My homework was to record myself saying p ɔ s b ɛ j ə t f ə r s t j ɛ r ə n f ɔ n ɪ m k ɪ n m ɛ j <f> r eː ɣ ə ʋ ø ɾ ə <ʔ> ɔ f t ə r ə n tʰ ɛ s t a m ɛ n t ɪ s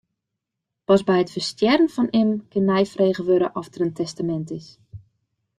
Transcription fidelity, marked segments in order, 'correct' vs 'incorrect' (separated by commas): correct, correct